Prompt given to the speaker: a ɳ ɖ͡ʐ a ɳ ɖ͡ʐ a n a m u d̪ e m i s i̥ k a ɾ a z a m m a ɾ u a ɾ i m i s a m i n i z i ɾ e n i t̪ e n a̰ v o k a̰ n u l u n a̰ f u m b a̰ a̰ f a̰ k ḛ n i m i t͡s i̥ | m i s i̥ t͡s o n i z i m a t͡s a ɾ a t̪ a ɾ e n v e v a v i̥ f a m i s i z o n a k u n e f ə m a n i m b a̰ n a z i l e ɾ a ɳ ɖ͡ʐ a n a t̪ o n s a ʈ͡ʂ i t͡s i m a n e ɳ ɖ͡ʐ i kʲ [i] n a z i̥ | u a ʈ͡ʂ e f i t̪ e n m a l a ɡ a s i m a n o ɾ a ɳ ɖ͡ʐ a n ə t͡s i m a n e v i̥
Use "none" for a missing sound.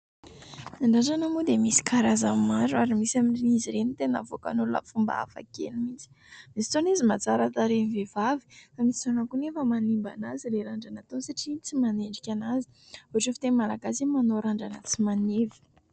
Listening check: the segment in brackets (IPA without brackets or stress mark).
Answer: a